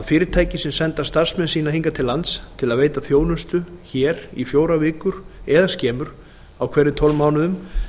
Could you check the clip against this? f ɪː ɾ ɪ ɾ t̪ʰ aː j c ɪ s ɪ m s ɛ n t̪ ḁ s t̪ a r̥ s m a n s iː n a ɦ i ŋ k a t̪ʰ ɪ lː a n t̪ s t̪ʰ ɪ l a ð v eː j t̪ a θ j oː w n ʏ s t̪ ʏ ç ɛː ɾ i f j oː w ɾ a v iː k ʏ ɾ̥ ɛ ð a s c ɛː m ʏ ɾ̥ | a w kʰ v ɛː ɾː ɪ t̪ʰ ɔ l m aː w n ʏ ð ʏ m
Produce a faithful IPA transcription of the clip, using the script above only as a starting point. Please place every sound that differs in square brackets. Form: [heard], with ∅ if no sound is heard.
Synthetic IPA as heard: f ɪː ɾ ɪ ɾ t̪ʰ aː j c ɪ s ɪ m s ɛ n t̪ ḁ s t̪ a r̥ s m [ɛ] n s iː n a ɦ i ŋ k a t̪ʰ ɪ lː a n t̪ s t̪ʰ ɪ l a ð v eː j t̪ a θ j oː w n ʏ s t̪ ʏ ç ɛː ɾ i f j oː w ɾ a v [ɪː] k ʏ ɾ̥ ɛ ð a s c ɛː m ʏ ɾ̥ | a w kʰ v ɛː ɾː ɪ t̪ʰ ɔ l m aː w n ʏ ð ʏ m